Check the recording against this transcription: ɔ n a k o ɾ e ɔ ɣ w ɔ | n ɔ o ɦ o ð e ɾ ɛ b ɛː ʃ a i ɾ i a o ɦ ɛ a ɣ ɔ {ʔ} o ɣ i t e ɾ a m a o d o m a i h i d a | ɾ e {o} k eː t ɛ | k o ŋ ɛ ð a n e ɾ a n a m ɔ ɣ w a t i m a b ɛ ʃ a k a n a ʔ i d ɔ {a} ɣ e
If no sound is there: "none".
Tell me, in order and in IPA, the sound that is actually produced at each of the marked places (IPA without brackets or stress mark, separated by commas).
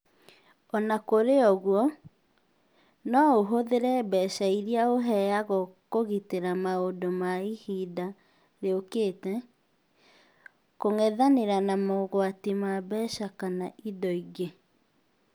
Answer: k, o, i